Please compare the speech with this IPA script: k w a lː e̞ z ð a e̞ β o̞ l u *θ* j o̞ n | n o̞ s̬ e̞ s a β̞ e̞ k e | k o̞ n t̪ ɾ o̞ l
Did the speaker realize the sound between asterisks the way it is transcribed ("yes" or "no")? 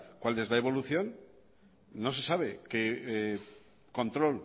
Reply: yes